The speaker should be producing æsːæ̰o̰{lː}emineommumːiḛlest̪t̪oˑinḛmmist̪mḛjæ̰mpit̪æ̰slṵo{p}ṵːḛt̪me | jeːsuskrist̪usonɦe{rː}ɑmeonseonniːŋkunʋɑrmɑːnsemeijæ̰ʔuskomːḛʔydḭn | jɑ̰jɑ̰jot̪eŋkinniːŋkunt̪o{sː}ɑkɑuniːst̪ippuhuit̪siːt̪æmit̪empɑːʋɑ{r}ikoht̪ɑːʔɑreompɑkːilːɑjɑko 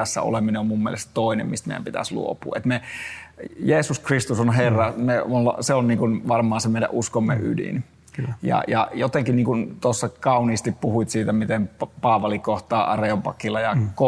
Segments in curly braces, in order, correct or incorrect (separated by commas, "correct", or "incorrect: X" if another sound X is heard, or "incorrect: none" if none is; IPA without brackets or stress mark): incorrect: l, correct, correct, correct, incorrect: l